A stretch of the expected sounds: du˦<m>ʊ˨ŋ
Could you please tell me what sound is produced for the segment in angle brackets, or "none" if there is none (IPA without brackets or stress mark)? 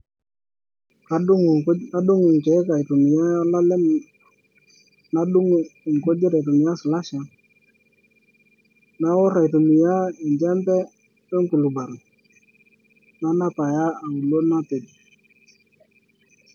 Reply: ŋ